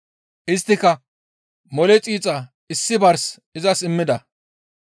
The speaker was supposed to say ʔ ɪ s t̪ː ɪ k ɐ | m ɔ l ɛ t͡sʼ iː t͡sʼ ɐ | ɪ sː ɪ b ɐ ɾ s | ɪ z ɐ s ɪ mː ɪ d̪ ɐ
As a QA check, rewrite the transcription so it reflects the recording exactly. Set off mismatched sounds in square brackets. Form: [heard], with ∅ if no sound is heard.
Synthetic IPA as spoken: ʔ ɪ s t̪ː ɪ k ɐ | m ɔ l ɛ t͡sʼ iː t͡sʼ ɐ | ɪ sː ɪ b ɐ ɾ s | ɪ z ɐ s ɪ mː ɪ d̪ ɐ